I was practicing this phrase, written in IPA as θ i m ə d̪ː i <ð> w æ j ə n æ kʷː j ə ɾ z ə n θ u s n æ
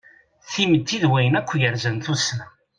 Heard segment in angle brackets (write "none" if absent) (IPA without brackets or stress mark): ð